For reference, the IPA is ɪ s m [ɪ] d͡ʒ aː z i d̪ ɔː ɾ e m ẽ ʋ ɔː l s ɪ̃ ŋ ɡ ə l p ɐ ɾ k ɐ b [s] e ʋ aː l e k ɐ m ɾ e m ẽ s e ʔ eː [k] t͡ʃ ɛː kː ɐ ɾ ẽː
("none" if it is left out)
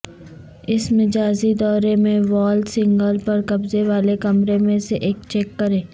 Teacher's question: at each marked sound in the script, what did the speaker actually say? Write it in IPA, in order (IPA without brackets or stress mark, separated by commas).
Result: ɪ, z, k